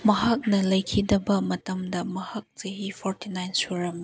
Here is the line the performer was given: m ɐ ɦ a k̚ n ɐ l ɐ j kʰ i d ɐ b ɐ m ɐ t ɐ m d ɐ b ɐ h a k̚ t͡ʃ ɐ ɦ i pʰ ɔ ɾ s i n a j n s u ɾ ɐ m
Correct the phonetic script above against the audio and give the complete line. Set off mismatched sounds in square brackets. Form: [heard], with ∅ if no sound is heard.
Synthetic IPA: m ɐ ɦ a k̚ n ɐ l ɐ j kʰ i d ɐ b ɐ m ɐ t ɐ m d ɐ [m] ɐ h a k̚ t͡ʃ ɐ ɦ i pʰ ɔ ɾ [t] i n a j n s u ɾ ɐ m